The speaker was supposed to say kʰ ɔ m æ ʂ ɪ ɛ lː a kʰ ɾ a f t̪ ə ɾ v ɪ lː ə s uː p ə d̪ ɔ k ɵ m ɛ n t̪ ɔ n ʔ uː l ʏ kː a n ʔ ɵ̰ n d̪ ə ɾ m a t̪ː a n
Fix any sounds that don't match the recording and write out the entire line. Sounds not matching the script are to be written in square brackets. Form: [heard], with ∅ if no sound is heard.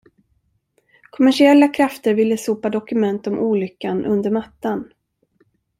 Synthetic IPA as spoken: kʰ ɔ m æ ʂ ɪ ɛ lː a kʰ ɾ a f t̪ ə ɾ v ɪ lː ə s uː p [a] d̪ ɔ k ɵ m ɛ n t̪ ɔ [m] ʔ uː l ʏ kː a n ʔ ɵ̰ n d̪ ə ɾ m a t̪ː a n